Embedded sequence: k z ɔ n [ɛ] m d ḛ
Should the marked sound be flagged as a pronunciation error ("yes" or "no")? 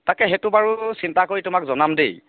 yes